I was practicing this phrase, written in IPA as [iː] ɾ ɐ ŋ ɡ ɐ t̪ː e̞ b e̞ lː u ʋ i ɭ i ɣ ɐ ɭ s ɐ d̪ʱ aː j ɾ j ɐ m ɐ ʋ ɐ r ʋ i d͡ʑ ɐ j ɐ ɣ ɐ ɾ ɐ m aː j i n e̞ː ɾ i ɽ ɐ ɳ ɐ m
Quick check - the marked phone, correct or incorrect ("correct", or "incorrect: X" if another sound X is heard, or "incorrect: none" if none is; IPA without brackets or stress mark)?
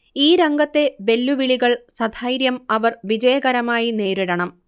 correct